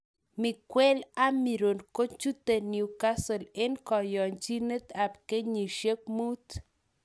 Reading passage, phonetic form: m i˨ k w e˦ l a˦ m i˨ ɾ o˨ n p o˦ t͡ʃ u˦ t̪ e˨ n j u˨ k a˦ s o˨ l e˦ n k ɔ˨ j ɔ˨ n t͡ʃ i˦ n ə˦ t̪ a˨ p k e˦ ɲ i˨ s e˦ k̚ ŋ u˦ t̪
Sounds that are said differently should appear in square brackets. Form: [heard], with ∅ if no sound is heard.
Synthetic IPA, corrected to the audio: m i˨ k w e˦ l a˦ m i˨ ɾ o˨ n [k] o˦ t͡ʃ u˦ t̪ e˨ n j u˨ k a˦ s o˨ l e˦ n k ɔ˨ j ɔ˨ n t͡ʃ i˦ n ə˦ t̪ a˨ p k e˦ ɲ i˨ [ʃ] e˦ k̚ [m] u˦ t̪

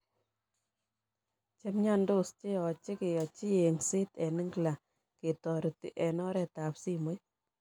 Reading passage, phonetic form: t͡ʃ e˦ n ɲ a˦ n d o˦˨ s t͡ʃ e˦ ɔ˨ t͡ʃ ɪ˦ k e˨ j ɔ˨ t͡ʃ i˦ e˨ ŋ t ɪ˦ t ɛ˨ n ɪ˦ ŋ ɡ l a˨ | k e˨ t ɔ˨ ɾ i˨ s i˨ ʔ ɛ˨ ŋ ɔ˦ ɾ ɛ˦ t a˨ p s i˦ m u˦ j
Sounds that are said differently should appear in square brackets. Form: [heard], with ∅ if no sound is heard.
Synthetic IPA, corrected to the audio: t͡ʃ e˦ [m] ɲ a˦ n d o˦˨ s t͡ʃ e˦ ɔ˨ t͡ʃ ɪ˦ k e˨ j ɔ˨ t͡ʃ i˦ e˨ ŋ [s] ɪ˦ t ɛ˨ n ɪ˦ ŋ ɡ l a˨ | k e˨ t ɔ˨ ɾ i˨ [t] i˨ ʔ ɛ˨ [n] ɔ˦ ɾ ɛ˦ t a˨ p s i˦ m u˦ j

